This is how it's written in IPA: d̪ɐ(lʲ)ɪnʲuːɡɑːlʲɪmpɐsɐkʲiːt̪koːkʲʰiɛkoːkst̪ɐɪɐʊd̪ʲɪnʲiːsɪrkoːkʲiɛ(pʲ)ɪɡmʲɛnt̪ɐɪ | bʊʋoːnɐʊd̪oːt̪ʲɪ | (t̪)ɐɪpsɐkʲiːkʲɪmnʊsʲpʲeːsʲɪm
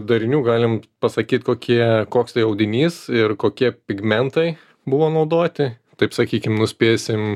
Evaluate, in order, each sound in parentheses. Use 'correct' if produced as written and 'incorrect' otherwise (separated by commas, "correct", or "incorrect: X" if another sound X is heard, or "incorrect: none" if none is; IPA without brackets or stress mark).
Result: incorrect: ɾʲ, correct, correct